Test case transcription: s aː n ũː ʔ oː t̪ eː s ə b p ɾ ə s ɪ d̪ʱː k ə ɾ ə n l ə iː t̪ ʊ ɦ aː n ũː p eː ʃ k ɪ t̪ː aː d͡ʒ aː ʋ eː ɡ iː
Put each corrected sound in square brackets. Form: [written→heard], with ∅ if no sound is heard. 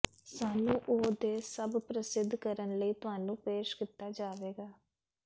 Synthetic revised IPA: s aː n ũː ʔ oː [t̪→d̪] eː s ə b p ɾ ə s ɪ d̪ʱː k ə ɾ ə n l ə iː t̪ ʊ ɦ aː n ũː p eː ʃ k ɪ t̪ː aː d͡ʒ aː ʋ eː ɡ [iː→aː]